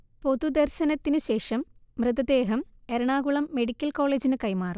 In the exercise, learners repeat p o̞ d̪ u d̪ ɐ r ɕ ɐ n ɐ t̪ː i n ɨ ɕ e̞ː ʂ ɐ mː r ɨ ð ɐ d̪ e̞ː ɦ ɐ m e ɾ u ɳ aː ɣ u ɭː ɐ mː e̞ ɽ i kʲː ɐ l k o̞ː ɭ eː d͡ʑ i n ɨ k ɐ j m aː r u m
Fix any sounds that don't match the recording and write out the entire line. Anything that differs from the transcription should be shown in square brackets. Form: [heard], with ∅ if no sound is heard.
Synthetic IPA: p o̞ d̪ u d̪ ɐ r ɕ ɐ n ɐ t̪ː i n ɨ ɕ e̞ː ʂ ɐ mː r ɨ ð ɐ d̪ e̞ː ɦ ɐ m e ɾ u ɳ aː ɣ u [ɭ] ɐ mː e̞ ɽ i kʲː ɐ l k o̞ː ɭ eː d͡ʑ i n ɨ k ɐ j m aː r u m